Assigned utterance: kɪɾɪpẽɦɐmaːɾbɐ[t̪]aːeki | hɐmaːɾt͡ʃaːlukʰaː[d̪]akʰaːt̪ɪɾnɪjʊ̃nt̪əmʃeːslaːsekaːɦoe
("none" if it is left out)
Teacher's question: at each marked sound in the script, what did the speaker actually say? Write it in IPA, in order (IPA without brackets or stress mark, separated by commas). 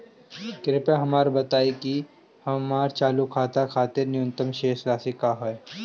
t̪, t̪